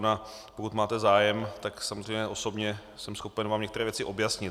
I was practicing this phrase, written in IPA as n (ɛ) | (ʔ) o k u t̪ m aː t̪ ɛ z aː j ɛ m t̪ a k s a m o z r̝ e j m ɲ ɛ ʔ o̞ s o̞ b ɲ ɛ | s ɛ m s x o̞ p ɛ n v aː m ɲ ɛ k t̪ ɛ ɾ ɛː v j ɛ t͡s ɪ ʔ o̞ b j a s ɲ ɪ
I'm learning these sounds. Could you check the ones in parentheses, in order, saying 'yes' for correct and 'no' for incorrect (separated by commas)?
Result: no, no